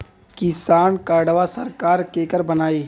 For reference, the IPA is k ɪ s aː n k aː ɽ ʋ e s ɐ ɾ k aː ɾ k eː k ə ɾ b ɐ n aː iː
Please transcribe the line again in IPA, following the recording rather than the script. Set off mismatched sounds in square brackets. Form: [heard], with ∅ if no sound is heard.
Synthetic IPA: k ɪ s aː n k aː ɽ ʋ [a] s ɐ ɾ k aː ɾ k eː k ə ɾ b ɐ n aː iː